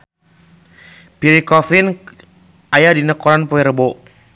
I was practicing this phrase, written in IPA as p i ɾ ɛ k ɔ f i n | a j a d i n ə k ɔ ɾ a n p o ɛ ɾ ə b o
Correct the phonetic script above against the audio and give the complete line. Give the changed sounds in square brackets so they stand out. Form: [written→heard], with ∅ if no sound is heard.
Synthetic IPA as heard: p i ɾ [ɛ→i] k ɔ f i n | a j a d i n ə k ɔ ɾ a n p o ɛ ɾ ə b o